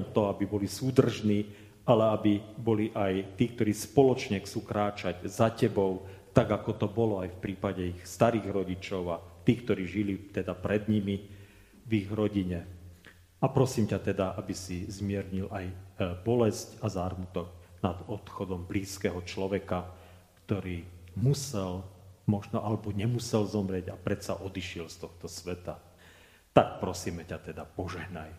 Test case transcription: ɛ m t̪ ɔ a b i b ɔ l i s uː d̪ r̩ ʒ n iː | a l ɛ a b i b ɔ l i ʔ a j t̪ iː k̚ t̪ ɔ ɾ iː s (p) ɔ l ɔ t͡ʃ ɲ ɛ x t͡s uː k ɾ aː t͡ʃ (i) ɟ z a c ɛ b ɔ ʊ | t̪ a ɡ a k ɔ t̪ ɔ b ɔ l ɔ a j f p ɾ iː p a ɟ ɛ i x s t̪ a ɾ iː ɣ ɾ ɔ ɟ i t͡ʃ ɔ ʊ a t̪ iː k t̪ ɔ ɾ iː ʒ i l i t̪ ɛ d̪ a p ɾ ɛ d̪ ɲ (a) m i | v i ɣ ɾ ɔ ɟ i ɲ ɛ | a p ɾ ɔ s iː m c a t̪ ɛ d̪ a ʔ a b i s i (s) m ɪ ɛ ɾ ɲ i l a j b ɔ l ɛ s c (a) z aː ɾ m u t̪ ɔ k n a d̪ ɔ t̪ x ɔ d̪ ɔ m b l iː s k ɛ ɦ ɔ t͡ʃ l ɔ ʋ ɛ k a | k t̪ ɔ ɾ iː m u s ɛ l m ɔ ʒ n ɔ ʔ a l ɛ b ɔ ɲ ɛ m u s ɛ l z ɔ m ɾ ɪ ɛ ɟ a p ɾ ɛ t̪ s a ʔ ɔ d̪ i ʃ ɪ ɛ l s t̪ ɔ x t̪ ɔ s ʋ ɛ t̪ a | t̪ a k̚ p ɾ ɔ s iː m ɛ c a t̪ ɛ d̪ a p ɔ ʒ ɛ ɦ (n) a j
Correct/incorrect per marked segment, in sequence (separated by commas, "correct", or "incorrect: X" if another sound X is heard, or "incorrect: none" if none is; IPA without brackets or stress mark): correct, incorrect: a, incorrect: i, incorrect: z, correct, correct